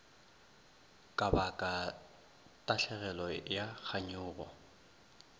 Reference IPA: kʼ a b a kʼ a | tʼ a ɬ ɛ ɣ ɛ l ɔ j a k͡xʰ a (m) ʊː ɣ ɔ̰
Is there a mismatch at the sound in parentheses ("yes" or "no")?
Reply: yes